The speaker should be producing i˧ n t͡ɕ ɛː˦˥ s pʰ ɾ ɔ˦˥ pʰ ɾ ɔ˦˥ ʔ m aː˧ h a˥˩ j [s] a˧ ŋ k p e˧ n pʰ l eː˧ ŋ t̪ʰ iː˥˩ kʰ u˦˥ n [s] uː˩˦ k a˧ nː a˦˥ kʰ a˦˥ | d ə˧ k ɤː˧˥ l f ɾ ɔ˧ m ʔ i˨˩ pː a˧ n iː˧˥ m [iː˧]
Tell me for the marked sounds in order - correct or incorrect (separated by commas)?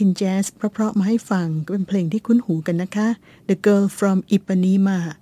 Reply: incorrect, incorrect, incorrect